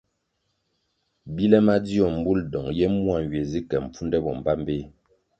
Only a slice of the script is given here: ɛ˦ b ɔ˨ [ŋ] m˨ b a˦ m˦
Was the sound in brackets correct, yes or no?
no